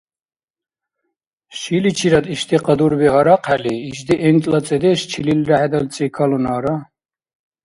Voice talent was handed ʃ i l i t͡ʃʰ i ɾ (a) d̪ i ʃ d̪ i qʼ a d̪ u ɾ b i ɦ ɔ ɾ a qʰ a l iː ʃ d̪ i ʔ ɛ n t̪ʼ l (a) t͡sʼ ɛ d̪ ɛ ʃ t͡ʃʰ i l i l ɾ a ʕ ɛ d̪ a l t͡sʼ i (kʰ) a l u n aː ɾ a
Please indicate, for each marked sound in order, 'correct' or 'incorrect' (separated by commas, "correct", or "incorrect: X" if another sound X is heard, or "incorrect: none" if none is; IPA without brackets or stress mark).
correct, correct, correct